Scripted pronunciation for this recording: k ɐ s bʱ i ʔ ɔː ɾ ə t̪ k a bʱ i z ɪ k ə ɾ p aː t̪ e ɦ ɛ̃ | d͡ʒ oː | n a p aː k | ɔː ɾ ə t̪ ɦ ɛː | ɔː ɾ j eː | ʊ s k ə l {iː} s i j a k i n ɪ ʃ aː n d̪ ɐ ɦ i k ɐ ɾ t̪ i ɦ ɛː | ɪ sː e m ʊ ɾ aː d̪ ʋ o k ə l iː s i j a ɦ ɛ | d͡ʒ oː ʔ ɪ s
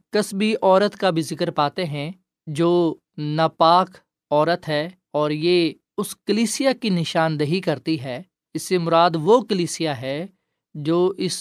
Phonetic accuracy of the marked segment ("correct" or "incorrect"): correct